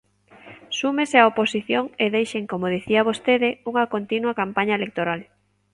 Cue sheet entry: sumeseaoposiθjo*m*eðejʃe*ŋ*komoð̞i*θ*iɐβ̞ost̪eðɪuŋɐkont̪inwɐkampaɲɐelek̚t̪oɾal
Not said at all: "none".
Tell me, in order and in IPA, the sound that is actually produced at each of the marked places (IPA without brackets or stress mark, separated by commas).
ŋ, ŋ, θ